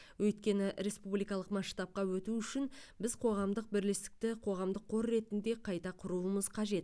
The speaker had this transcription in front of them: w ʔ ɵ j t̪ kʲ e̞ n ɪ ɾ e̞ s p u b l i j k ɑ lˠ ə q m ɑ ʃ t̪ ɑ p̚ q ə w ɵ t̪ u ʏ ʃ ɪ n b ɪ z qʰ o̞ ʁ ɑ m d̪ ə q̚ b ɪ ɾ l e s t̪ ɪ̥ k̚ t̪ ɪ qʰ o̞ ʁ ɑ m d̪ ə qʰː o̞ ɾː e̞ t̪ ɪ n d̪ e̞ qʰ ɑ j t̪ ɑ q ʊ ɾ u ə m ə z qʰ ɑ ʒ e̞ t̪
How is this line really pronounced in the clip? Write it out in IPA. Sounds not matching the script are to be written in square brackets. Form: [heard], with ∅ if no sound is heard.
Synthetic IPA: w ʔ ɵ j t̪ kʲ e̞ n ɪ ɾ e̞ s p u b l i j k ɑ lˠ ə q m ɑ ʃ t̪ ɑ p̚ q [ɑ] w ɵ t̪ u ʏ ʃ ɪ n b ɪ z qʰ o̞ ʁ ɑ m d̪ ə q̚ b ɪ ɾ l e s t̪ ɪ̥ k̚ t̪ ɪ qʰ o̞ ʁ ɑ m d̪ ə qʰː o̞ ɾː e̞ t̪ ɪ n d̪ e̞ qʰ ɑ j t̪ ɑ [qʰ] ʊ ɾ u ə m ə z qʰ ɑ ʒ e̞ t̪